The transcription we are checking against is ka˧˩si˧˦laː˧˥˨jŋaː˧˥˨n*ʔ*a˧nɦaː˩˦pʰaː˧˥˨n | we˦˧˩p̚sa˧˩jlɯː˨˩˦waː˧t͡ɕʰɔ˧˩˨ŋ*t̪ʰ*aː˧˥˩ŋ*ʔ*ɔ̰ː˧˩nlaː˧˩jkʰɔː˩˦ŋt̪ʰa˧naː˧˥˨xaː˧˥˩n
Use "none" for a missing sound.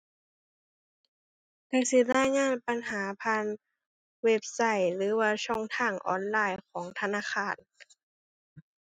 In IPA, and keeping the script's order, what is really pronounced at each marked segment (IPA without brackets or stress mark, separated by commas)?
p, t̪ʰ, ʔ